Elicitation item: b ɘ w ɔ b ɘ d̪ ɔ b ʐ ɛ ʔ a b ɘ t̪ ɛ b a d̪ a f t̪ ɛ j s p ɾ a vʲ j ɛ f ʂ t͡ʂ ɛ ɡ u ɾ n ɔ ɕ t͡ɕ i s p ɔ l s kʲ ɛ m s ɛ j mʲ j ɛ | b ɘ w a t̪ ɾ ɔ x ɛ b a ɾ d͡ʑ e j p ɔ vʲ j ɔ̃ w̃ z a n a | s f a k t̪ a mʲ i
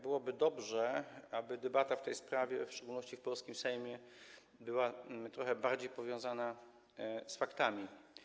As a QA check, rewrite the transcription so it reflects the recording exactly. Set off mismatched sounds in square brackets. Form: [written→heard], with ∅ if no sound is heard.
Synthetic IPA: b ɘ w ɔ b ɘ d̪ ɔ b ʐ ɛ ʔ a b ɘ [t̪→d̪] ɛ b a [d̪→t̪] a f t̪ ɛ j s p ɾ a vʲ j ɛ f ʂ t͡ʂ ɛ ɡ u [ɾ→l] n ɔ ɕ t͡ɕ i [s→f] p ɔ l s kʲ [ɛ→i] m s ɛ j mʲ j ɛ | b ɘ w a t̪ ɾ ɔ x ɛ b a ɾ d͡ʑ e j p ɔ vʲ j ɔ̃ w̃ z a n a | s f a k t̪ a mʲ i